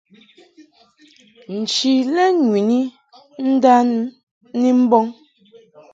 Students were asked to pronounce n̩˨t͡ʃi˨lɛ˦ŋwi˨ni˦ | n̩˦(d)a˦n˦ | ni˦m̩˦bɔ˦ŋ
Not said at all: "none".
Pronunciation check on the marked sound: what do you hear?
d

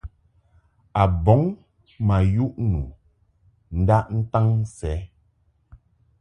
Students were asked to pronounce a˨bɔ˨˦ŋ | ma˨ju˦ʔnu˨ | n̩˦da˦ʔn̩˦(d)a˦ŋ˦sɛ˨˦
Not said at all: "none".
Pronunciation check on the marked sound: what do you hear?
t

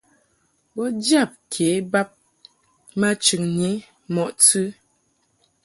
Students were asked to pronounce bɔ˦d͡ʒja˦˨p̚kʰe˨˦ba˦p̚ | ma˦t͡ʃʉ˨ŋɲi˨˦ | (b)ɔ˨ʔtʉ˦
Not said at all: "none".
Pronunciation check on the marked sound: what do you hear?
m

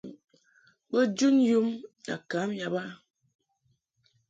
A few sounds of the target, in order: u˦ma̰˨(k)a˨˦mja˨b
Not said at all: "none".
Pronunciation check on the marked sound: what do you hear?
k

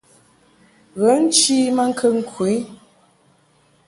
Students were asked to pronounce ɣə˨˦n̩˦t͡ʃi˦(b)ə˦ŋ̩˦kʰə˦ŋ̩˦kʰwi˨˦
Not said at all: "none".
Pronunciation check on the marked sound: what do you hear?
m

